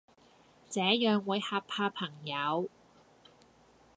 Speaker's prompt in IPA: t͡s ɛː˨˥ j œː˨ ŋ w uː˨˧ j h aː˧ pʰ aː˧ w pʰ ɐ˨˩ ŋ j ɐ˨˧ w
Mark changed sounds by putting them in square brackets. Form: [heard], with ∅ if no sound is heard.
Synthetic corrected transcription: t͡s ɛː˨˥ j œː˨ ŋ w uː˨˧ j h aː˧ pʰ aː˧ [∅] pʰ ɐ˨˩ ŋ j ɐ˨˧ w

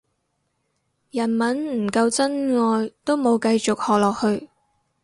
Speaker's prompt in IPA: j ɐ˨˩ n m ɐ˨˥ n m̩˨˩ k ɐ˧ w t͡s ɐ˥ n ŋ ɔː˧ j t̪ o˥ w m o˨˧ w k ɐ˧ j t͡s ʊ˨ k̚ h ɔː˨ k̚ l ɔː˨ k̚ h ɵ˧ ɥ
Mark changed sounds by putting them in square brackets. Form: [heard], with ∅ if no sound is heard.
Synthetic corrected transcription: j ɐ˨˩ n m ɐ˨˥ n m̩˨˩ k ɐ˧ w t͡s ɐ˥ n ŋ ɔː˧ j t̪ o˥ w m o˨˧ w k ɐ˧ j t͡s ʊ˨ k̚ h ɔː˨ k̚ l ɔː˨ k̚ h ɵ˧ ɥ

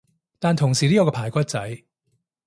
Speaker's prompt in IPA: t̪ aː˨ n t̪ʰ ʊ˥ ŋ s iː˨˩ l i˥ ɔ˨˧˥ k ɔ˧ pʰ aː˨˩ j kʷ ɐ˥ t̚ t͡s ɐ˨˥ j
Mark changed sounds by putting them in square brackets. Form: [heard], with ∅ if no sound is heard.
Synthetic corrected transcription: t̪ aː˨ n t̪ʰ [ʊ˨˩] ŋ s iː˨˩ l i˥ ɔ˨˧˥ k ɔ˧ pʰ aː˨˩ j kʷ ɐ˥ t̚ t͡s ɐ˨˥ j

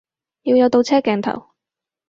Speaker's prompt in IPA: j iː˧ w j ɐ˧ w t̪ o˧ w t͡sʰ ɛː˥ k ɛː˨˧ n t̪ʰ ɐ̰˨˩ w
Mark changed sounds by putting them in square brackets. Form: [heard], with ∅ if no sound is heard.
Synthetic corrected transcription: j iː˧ w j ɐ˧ w t̪ o˧ w t͡sʰ ɛː˥ k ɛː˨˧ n t̪ʰ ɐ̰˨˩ w

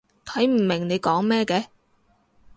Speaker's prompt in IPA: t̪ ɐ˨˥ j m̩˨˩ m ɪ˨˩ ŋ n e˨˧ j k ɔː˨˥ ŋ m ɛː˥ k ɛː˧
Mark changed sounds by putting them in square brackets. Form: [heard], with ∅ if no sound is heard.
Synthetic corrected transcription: [t̪ʰ] ɐ˨˥ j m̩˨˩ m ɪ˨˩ ŋ n e˨˧ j k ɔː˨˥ ŋ m ɛː˥ k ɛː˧

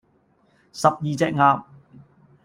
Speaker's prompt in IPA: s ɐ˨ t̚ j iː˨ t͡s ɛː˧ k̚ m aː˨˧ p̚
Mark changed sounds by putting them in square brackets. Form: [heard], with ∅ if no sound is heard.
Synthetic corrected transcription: s ɐ˨ [p̚] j iː˨ t͡s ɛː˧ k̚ [ŋ] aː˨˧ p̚

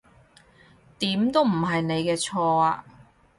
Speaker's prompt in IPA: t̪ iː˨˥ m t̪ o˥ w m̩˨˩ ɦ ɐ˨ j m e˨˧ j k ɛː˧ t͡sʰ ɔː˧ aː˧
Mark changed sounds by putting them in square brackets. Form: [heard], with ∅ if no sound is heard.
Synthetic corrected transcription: t̪ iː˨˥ m t̪ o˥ w m̩˨˩ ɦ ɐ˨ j [n] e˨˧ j k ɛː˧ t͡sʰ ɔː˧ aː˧

